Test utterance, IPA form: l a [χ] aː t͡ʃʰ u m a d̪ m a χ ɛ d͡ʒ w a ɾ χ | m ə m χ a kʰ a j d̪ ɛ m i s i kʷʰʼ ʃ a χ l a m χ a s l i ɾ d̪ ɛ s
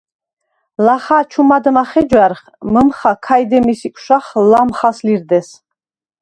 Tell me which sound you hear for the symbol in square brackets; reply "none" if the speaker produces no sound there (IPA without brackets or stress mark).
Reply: χ